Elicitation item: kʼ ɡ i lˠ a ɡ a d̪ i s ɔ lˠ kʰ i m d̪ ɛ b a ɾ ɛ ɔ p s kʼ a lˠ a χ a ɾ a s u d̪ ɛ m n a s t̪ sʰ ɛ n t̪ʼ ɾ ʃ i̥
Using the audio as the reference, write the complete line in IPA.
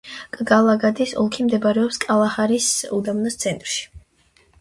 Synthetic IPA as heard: kʼ ɡ a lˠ a ɡ a d̪ i s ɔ lˠ kʰ i m d̪ ɛ b a ɾ ɛ ɔ p s kʼ a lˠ a χ a ɾ i s u d̪ a m n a s t̪ sʰ ɛ n t̪ʼ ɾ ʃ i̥